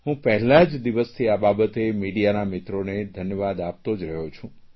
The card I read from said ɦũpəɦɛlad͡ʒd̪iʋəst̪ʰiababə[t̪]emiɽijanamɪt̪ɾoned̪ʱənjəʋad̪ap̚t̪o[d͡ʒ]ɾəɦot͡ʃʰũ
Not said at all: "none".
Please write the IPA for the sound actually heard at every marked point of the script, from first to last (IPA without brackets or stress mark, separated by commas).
t̪, d͡ʒ